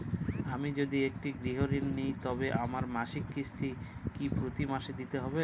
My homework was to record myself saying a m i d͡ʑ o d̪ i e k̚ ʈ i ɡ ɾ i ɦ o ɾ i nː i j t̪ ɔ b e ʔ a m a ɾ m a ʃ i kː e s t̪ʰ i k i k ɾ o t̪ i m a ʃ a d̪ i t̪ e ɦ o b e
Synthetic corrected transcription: a m i d͡ʑ o d̪ i e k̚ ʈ i ɡ ɾ i ɦ o ɾ i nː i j t̪ ɔ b e ʔ a m a ɾ m a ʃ i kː i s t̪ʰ i k i p ɾ o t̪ i m a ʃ e d̪ i t̪ e ɦ ɔ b e